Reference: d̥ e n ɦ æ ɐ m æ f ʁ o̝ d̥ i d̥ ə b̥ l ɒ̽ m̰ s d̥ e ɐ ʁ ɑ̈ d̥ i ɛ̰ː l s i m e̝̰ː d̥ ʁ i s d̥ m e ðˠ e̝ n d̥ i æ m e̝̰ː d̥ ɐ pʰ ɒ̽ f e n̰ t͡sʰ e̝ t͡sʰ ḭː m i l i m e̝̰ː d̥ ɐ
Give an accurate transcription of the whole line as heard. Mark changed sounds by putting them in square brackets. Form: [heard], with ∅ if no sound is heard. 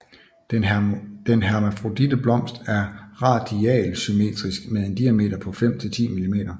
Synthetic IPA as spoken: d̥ e n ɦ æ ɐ m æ f ʁ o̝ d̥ i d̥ ə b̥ l ɒ̽ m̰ s d̥ [æ] ɐ ʁ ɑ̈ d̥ i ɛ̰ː l s [y] m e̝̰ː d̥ ʁ i s [ɡ̥] m e ðˠ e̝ n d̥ i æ m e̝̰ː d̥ ɐ pʰ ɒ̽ f e [m̰] t͡sʰ e̝ t͡sʰ ḭː m i l i m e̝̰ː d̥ ɐ

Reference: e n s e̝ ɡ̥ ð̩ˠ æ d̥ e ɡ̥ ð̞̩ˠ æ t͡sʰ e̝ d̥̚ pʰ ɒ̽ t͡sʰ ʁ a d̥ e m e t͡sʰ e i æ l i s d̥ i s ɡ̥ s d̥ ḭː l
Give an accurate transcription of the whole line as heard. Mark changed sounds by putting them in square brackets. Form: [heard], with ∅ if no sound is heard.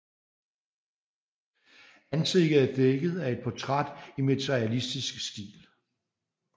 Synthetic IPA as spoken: [æ] n s e̝ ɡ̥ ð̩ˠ æ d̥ e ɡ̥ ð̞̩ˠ æ [∅] e̝ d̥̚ pʰ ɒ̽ t͡sʰ ʁ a d̥ [i] m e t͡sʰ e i æ l i s d̥ i s ɡ̥ s d̥ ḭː l

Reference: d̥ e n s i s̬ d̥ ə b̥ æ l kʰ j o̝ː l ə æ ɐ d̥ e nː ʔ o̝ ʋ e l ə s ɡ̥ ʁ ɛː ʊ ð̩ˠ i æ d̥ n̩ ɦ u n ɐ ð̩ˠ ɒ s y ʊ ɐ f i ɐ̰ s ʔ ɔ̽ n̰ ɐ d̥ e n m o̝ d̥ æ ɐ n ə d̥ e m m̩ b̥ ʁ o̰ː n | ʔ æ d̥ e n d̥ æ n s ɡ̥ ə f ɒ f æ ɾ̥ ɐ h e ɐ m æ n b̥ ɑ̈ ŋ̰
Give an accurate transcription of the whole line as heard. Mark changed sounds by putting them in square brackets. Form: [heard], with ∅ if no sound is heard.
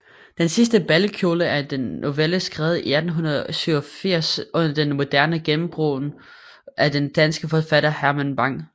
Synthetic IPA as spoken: d̥ e n s i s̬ d̥ ə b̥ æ l kʰ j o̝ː l ə æ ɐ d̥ e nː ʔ o̝ ʋ e l ə s ɡ̥ ʁ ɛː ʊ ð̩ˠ i æ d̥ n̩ ɦ u n ɐ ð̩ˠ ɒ s y ʊ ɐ f i ɐ̰ s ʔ ɔ̽ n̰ ɐ d̥ e n m o̝ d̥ æ ɐ n ə [ɡ̥] e m m̩ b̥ ʁ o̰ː n | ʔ æ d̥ e n d̥ æ n s ɡ̥ ə f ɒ f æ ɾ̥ ɐ h [æ] ɐ m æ n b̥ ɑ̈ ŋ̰

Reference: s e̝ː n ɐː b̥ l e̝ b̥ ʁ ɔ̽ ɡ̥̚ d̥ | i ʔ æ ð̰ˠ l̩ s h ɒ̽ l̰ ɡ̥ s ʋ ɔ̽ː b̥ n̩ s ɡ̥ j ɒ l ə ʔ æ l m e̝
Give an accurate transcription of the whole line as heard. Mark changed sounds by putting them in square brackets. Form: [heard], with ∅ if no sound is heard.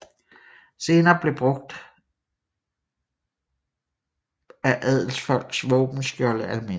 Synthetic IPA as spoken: s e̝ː n ɐː b̥ l e̝ b̥ ʁ ɔ̽ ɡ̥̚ d̥ | [æ] ʔ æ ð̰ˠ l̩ s [f] ɒ̽ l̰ ɡ̥ s ʋ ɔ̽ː b̥ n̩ s ɡ̥ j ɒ l ə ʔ æ l m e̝

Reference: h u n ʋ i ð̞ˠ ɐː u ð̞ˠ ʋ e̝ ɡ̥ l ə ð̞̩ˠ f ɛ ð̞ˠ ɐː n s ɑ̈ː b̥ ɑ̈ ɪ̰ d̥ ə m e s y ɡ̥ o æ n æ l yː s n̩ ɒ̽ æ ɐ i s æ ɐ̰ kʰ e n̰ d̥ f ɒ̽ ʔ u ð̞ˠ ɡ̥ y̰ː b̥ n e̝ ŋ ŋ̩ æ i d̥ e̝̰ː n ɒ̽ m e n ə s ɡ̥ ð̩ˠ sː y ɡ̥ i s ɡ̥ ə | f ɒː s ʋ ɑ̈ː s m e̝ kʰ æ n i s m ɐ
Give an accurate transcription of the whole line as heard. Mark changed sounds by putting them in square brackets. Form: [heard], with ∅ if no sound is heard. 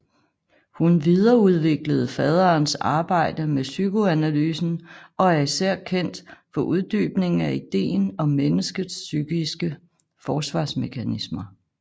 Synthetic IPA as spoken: h u n ʋ i ð̞ˠ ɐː u ð̞ˠ ʋ e̝ ɡ̥ l ə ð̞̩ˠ f ɛ ð̞ˠ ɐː n s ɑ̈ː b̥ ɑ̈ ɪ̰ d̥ ə m e s y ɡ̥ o æ n æ l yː s n̩ ɒ̽ æ ɐ i s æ ɐ̰ kʰ e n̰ d̥ f ɒ̽ ʔ u ð̞ˠ [d̥] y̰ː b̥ n e̝ ŋ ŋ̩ æ i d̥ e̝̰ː n ɒ̽ m e n ə s ɡ̥ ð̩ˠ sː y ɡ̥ i s ɡ̥ ə | f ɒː s ʋ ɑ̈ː s m e̝ kʰ æ n i s m ɐ

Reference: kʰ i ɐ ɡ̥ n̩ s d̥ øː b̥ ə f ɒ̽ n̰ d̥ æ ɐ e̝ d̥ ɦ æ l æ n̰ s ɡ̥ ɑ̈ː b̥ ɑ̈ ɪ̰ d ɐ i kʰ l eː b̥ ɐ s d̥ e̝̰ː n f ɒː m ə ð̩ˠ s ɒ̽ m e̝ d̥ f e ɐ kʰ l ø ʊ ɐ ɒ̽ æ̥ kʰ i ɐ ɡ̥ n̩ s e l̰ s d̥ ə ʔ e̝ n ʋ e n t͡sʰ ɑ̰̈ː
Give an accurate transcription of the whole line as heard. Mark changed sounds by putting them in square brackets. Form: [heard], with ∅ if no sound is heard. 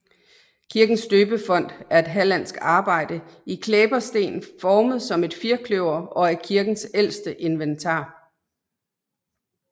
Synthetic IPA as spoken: kʰ i ɐ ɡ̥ n̩ s d̥ øː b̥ ə f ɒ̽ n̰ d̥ æ ɐ e̝ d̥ ɦ æ l æ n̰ s ɡ̥ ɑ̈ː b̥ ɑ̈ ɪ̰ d [ə] i kʰ l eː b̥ ɐ s d̥ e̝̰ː n f ɒː m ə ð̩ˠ s ɒ̽ m e̝ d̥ f [i] ɐ kʰ l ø ʊ ɐ ɒ̽ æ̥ kʰ i ɐ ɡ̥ n̩ s e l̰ s d̥ ə ʔ e̝ n ʋ e n t͡sʰ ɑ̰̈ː

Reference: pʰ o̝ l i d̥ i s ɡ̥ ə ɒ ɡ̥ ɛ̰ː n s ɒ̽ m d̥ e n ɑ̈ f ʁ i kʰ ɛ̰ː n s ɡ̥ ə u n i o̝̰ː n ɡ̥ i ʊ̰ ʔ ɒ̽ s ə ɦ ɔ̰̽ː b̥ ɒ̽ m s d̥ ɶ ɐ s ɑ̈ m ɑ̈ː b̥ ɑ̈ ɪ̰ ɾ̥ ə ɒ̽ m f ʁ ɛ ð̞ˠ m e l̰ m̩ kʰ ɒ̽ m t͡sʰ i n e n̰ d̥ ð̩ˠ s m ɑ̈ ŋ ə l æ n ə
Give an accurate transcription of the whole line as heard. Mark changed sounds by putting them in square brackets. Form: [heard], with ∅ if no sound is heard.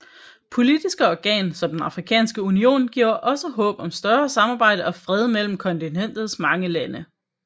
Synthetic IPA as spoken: pʰ o̝ l i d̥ i s ɡ̥ ə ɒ ɡ̥ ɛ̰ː n s ɒ̽ m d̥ e n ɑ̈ f ʁ i kʰ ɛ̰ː n s ɡ̥ ə u n i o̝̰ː n ɡ̥ i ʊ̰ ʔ ɒ̽ s ə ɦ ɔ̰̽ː b̥ ɒ̽ m s d̥ ɶ ɐ s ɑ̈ m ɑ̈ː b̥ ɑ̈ ɪ̰ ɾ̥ ə ɒ̽ [∅] f ʁ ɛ ð̞ˠ m e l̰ m̩ kʰ ɒ̽ [n] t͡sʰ i n e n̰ d̥ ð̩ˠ s m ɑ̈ ŋ ə l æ n ə

